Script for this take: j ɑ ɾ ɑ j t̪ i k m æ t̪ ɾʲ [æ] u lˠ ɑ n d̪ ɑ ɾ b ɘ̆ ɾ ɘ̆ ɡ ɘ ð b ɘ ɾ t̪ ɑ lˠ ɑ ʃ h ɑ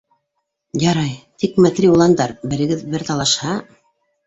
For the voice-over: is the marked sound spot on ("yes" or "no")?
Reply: no